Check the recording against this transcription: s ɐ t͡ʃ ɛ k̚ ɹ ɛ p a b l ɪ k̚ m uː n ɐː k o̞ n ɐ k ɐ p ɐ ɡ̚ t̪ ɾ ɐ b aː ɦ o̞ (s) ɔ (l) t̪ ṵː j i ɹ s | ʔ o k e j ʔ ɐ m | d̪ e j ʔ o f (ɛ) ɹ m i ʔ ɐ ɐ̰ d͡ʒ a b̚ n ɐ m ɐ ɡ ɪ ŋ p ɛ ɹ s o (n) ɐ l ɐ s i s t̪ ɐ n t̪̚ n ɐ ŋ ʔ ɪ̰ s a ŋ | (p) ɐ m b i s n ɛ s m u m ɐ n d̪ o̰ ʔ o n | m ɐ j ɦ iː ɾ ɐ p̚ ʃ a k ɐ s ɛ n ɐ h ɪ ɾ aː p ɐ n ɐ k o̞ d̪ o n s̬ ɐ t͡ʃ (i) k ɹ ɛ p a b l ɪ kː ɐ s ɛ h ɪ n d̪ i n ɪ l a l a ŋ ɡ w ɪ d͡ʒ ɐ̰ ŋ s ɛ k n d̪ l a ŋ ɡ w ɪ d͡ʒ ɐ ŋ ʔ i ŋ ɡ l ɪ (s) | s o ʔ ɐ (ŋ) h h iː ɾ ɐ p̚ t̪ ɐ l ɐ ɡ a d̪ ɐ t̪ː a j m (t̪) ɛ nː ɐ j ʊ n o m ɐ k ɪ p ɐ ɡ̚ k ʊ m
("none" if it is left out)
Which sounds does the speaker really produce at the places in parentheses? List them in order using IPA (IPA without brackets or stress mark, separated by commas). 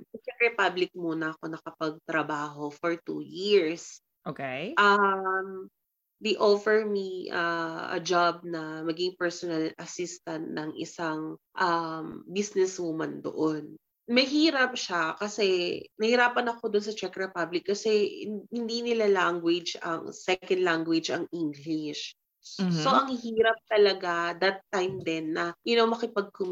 f, ɹ, ɛ, n, ʔ, ɛ, ʃ, ŋ, d̪